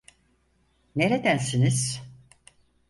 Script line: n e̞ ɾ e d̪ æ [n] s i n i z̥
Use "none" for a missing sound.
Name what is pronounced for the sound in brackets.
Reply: n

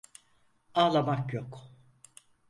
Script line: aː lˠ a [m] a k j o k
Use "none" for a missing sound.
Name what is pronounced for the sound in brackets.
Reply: m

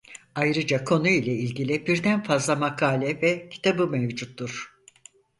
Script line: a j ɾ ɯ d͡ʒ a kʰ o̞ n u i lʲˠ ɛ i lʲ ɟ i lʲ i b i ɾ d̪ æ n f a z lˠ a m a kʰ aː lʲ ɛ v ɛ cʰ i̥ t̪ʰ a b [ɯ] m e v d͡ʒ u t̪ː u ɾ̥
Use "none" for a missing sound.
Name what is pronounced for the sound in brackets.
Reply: ɯ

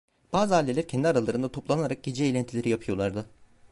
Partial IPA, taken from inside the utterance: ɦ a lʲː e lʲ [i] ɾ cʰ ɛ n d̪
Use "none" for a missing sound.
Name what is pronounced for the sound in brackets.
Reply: æ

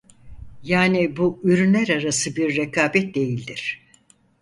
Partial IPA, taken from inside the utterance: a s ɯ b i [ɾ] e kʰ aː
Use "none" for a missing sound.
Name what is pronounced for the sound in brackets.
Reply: ɾː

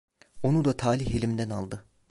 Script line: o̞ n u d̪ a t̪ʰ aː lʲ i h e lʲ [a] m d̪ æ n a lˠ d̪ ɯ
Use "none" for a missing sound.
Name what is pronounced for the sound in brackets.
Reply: i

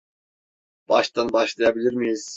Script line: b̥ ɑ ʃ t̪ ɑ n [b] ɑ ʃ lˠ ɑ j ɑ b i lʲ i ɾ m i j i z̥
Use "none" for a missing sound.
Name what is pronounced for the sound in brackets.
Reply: b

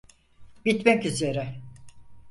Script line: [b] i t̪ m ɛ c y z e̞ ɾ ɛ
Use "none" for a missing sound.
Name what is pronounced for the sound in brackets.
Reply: b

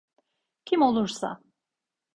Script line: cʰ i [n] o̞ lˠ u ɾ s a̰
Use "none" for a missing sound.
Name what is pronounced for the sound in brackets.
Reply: m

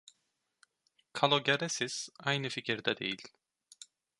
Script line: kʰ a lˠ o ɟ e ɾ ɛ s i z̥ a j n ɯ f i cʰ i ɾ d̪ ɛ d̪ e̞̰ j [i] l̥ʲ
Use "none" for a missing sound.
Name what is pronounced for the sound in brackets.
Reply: i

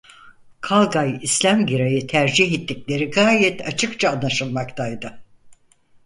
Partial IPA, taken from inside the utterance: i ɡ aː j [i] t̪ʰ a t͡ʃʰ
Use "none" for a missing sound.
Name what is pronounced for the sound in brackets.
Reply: ɛ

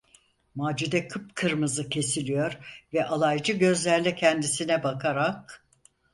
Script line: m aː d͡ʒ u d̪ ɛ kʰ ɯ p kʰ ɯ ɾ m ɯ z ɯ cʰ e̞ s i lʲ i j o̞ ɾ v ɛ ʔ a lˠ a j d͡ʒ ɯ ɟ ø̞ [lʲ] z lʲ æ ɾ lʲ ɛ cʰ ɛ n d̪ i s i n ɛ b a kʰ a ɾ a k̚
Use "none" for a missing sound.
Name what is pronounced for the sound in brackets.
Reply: none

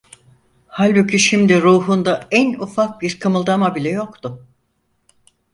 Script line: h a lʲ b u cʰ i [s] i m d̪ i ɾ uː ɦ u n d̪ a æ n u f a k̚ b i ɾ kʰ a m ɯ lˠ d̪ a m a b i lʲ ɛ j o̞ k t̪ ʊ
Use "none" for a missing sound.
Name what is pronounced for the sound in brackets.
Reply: ʃ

